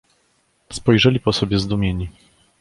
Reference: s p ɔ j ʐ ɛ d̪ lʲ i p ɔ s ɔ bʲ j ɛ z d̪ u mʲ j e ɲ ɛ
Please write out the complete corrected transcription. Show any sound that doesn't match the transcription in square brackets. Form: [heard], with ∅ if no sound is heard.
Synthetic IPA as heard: s p ɔ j ʐ ɛ [∅] lʲ i p ɔ s ɔ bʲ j ɛ z d̪ u mʲ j e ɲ [i]